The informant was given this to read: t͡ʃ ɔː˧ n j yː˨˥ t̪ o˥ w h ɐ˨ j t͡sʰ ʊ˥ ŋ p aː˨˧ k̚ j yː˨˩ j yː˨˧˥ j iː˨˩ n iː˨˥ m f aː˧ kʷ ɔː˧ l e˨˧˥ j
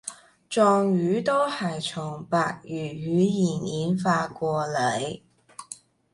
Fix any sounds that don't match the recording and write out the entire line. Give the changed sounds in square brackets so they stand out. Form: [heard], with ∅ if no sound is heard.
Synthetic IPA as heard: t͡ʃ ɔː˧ [ŋ] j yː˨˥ t̪ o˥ w h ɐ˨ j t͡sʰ [ʊ˨˩] ŋ p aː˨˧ k̚ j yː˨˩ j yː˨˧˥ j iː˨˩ n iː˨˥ [n] f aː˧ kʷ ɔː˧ l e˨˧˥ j

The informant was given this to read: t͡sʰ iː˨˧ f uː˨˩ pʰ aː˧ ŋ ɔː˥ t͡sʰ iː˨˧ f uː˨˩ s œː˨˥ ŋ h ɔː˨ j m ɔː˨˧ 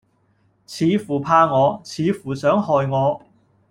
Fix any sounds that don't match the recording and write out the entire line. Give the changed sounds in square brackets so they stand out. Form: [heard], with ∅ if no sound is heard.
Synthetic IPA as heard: t͡sʰ iː˨˧ f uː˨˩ pʰ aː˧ ŋ [ɔː˨˧] t͡sʰ iː˨˧ f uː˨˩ s œː˨˥ ŋ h ɔː˨ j [ŋ] ɔː˨˧

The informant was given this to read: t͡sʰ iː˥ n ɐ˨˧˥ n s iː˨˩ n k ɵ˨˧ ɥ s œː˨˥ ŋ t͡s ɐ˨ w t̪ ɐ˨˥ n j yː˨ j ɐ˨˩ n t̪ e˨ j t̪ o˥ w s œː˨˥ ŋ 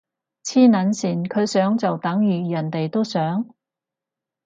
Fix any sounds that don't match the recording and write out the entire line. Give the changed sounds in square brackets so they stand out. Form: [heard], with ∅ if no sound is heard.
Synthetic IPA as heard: t͡sʰ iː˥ n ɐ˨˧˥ n s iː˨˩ n [kʰ] ɵ˨˧ ɥ s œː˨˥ ŋ t͡s ɐ˨ w t̪ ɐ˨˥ [ŋ] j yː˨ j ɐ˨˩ n t̪ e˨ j t̪ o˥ w s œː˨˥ ŋ

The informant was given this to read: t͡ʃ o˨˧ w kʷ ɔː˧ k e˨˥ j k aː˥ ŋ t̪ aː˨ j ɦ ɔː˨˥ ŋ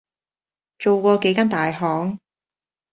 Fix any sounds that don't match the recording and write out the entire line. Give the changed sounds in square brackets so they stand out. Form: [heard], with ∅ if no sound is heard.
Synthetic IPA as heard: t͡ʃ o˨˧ w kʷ ɔː˧ k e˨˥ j k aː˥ [n] t̪ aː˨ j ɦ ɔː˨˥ ŋ

